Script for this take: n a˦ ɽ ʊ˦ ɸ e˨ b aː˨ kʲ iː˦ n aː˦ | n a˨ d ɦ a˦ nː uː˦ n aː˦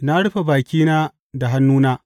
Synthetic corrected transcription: n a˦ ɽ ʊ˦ ɸ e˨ b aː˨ kʲ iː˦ n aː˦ | d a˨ ɦ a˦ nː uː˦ n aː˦